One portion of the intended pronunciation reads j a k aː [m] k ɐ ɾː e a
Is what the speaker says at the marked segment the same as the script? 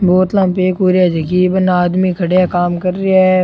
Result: yes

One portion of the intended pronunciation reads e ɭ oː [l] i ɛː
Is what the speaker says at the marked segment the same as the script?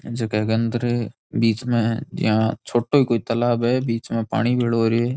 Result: no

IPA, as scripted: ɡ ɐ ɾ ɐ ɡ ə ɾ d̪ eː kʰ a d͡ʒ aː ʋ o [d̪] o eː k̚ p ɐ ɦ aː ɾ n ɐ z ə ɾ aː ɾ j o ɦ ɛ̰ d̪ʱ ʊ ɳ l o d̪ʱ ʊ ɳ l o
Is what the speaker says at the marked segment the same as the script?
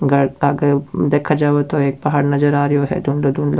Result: no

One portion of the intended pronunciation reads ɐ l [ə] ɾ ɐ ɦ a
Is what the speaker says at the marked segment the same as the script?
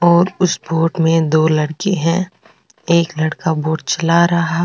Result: no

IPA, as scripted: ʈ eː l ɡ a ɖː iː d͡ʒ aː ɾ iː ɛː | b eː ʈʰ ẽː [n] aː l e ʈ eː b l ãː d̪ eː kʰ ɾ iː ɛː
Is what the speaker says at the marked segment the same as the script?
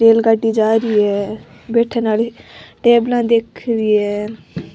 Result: yes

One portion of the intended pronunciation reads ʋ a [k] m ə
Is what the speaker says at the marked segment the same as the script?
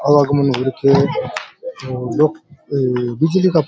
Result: no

